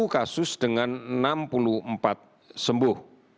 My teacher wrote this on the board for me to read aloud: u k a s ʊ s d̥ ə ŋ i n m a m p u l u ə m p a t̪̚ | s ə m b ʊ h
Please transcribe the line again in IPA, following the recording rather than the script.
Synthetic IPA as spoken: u k a s ʊ s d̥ ə ŋ a n n a m p u l u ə m p a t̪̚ | s ə m b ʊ h